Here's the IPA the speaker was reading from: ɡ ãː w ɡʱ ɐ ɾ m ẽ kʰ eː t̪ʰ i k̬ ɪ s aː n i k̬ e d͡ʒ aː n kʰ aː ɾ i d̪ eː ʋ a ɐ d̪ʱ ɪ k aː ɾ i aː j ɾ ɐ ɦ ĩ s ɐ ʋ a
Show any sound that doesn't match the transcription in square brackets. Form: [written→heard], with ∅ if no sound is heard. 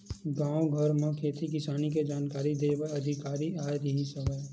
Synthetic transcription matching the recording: ɡ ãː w ɡʱ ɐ ɾ m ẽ kʰ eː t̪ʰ i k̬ ɪ s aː n i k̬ e d͡ʒ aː n [kʰ→k] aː ɾ i d̪ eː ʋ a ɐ d̪ʱ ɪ k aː ɾ i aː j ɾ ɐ ɦ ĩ s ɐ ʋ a